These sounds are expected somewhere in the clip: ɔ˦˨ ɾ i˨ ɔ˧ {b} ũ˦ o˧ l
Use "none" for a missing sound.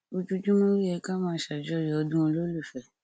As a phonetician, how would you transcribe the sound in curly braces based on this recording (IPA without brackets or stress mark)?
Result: d